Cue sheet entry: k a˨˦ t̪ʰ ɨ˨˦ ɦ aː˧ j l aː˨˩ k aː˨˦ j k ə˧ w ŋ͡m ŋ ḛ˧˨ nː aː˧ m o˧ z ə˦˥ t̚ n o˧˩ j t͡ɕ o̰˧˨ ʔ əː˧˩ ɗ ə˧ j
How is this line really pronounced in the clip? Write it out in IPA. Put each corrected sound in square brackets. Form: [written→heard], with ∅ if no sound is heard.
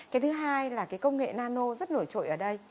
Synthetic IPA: k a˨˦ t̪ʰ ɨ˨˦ ɦ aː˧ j l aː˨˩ k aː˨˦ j k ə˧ w ŋ͡m ŋ ḛ˧˨ [nː→n] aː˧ [m→n] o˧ z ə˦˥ t̚ n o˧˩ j t͡ɕ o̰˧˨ ʔ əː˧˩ ɗ ə˧ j